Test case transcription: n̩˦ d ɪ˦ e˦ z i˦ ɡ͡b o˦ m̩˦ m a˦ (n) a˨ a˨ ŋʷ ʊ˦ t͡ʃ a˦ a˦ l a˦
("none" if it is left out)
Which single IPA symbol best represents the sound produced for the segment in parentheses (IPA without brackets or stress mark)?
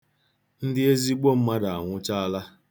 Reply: d